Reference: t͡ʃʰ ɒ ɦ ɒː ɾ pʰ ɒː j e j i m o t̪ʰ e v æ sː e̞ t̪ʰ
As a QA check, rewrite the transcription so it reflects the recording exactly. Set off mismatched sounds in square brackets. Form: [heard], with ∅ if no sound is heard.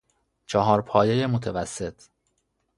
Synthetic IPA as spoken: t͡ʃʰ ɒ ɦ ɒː ɾ pʰ ɒː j e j [e] m o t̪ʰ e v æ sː e̞ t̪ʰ